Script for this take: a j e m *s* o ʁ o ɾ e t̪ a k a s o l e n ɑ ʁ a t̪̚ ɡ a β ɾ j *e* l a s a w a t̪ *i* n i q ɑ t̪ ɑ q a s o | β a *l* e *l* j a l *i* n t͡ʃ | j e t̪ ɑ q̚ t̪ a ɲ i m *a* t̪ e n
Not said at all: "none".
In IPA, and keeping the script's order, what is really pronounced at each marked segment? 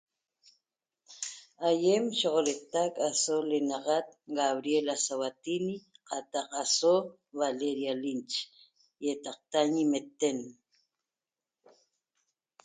ʃ, e, i, l, ɾ, i, e

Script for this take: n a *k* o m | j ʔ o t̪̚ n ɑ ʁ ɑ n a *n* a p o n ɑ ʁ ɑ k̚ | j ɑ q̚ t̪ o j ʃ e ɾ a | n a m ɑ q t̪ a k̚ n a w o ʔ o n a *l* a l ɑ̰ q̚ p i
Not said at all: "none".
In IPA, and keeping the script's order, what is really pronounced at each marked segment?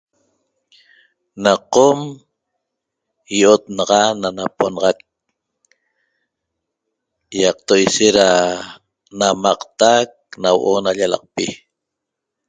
q, n, ʎ

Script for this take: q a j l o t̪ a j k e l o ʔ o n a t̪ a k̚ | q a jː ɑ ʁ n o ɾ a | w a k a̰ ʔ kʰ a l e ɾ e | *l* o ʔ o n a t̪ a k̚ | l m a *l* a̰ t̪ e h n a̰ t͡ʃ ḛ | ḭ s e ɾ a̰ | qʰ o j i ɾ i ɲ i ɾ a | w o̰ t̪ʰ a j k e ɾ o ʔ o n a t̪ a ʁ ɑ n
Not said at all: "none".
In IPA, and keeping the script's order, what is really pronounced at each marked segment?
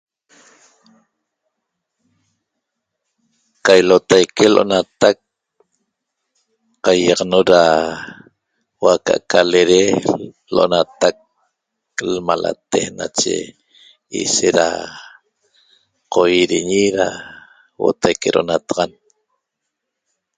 l, l

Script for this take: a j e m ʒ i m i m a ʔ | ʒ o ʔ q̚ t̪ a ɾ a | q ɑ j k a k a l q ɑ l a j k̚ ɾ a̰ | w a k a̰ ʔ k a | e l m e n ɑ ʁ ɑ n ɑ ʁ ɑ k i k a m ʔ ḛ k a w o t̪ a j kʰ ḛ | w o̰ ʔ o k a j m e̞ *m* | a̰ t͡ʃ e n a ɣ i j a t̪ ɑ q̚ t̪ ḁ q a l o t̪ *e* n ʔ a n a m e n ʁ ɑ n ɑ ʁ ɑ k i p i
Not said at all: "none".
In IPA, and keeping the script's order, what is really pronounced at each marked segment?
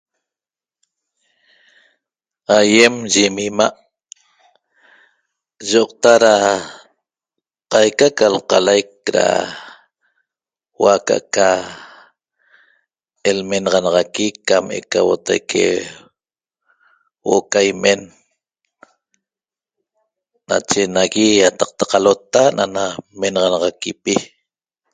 n, a

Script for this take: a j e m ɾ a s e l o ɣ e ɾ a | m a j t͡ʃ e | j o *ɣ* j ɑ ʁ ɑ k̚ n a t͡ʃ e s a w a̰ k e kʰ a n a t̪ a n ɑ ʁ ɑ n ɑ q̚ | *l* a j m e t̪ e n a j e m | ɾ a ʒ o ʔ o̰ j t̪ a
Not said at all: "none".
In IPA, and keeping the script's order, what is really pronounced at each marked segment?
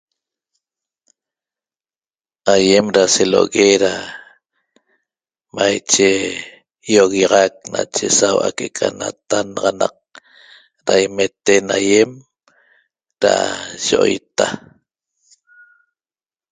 ɣ, ɾ

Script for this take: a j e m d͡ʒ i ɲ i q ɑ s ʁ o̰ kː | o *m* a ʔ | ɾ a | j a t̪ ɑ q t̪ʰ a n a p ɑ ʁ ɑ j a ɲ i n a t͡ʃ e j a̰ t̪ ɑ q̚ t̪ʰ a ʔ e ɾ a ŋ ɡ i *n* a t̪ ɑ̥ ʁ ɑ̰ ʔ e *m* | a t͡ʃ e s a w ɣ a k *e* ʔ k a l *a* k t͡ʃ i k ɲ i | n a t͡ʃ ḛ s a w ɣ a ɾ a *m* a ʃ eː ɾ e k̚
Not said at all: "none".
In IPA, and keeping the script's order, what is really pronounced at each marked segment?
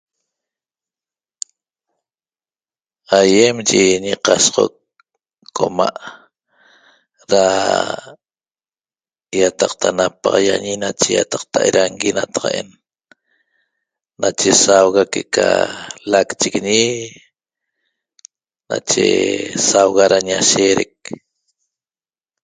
m, n, n, e, a, ɲ

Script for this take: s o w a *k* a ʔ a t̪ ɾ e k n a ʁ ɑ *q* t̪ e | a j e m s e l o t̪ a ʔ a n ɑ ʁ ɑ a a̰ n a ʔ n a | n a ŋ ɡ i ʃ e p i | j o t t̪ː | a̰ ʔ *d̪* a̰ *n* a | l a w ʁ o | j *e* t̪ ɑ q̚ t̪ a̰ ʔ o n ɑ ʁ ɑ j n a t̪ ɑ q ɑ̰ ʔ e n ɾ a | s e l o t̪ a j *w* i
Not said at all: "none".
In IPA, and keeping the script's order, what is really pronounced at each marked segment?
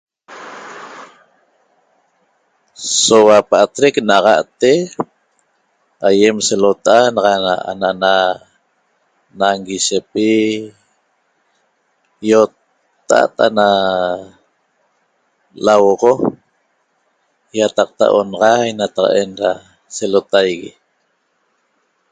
p, ʔ, t̪, n, a, ɣ

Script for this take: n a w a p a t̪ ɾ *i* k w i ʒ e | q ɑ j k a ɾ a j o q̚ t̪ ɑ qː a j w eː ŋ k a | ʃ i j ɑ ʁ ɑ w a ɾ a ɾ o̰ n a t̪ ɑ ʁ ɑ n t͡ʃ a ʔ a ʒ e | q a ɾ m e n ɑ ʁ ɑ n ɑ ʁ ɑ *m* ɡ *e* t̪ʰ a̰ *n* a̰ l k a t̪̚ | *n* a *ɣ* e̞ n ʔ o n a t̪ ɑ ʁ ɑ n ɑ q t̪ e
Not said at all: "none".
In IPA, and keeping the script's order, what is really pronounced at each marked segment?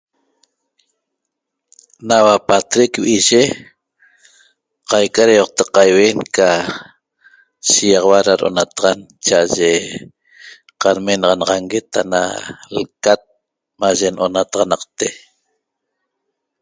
e, ŋ, e, n, m, ʒ

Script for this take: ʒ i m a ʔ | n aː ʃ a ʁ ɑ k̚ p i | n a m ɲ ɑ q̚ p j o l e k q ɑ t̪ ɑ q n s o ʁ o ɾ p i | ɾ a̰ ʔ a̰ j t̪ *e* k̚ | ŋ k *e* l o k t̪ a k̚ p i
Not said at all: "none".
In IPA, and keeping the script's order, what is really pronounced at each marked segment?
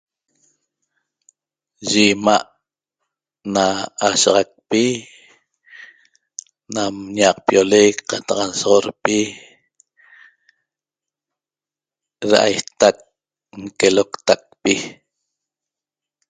a, e

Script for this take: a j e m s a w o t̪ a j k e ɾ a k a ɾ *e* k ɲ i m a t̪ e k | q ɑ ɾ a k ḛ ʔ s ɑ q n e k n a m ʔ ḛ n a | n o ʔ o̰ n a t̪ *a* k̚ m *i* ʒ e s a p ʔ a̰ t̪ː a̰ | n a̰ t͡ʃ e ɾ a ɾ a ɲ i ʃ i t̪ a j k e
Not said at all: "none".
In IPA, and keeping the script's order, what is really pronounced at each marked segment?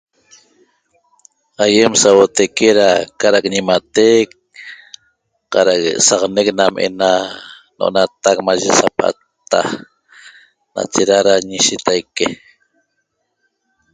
a, a, a

